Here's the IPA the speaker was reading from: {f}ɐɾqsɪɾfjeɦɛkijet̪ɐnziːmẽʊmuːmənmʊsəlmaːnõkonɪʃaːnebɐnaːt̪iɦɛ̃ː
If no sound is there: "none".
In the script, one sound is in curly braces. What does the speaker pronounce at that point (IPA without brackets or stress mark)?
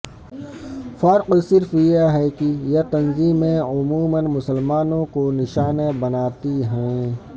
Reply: f